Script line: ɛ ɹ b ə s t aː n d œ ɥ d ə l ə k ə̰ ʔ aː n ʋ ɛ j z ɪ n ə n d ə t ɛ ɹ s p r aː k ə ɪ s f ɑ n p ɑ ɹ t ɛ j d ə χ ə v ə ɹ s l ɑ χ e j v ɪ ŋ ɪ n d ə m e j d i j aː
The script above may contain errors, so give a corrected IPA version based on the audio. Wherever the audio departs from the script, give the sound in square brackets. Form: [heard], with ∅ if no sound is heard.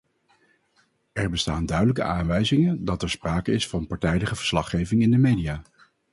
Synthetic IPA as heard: ɛ ɹ b ə s t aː n d œ ɥ d ə l ə k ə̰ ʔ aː n ʋ ɛ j z ɪ [ŋ] ə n d [ɑ] t ɛ ɹ s p r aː k ə ɪ s f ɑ n p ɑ ɹ t ɛ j d ə χ ə v ə ɹ s l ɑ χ e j v ɪ ŋ ɪ n d ə m e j d i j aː